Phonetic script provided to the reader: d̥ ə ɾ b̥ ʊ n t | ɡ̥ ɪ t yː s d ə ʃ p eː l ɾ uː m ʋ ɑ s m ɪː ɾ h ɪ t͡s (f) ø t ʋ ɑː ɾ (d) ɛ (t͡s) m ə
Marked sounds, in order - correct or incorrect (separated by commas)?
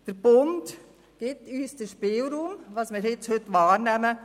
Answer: incorrect, incorrect, incorrect